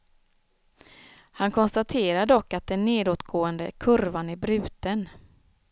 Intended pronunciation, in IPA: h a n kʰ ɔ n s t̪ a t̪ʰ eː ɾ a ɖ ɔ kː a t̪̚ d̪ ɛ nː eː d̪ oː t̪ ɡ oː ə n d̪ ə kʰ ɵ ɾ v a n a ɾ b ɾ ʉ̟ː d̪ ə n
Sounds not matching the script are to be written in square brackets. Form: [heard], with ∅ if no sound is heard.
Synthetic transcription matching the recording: h a n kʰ ɔ n s t̪ a t̪ʰ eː ɾ a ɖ ɔ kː a t̪̚ d̪ ɛ nː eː d̪ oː t̪ ɡ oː ə n d̪ ə kʰ ɵ ɾ v a n [æ] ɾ b ɾ ʉ̟ː [t̪] ə n